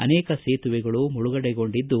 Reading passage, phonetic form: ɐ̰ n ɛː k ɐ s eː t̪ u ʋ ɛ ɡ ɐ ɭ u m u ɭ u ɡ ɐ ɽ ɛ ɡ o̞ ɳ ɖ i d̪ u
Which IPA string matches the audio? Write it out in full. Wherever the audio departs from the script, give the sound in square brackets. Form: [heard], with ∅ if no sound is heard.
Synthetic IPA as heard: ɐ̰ n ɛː k ɐ s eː t̪ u ʋ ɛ ɡ ɐ ɭ u m u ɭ u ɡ ɐ ɽ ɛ ɡ o̞ ɳ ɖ i [d̪ː] u